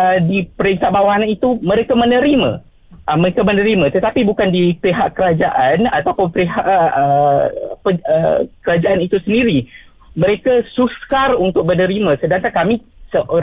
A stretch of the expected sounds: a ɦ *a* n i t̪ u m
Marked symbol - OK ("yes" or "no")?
yes